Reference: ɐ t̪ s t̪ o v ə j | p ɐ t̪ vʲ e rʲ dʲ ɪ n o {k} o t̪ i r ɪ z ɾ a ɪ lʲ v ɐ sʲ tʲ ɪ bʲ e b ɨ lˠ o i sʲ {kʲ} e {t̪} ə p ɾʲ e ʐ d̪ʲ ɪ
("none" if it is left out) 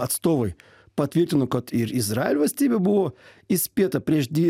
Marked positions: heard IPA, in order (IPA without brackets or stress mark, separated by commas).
k, pʲ, t̪